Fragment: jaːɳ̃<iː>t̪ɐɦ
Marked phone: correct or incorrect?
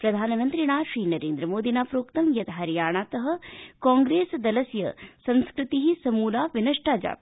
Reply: incorrect